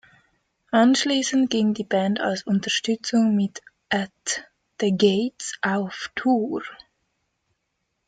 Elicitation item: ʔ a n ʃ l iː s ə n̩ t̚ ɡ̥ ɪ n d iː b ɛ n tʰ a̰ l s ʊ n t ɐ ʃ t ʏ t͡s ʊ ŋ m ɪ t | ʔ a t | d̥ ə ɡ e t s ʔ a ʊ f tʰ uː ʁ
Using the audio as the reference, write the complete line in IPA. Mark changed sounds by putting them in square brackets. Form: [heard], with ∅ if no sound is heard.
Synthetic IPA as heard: ʔ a n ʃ l iː s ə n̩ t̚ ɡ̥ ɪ [ŋ] d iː b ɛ n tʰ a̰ l s ʊ n t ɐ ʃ t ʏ t͡s ʊ ŋ m ɪ t | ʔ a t | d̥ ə ɡ e t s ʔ a ʊ f tʰ uː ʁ

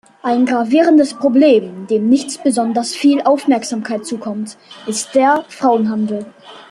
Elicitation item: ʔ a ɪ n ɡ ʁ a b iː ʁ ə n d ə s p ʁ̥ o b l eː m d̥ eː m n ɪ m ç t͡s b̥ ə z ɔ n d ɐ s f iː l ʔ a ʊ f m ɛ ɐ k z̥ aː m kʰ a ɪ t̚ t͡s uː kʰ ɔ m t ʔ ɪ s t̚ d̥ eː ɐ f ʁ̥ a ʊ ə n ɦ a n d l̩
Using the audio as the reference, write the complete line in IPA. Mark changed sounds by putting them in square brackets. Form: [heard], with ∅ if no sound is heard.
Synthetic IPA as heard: ʔ a ɪ n ɡ ʁ a [v] iː ʁ ə n d ə s p ʁ̥ o b l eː m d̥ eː m n ɪ [∅] ç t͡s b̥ ə z ɔ n d ɐ s f iː l ʔ a ʊ f m ɛ ɐ k z̥ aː m kʰ a ɪ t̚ t͡s uː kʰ ɔ m t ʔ ɪ s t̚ d̥ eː ɐ f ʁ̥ a ʊ ə n ɦ a n d l̩

